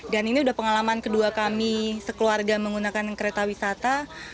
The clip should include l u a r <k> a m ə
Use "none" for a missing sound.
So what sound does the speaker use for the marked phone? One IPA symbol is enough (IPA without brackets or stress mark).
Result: ɡ